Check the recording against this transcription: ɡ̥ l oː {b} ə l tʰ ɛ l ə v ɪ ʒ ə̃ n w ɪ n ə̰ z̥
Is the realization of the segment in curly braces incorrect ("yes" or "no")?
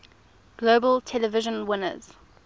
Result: no